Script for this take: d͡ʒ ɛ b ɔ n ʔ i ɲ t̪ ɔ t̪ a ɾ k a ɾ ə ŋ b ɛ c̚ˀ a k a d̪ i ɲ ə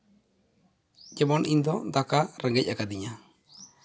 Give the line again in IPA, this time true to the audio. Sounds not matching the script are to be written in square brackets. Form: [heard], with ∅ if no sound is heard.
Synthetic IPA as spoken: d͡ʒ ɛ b ɔ n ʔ i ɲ [d̪] ɔ [d̪] a [∅] k a ɾ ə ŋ [ɡ] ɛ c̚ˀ a k a d̪ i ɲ [a]